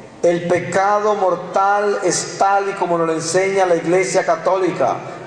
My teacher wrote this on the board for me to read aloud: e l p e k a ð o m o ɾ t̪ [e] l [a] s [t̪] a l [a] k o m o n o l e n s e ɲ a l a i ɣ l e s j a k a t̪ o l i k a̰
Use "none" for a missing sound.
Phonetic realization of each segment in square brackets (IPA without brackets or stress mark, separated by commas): a, e, t̪, i